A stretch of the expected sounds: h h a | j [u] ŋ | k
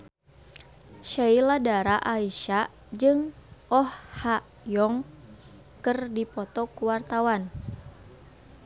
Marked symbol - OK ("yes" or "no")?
no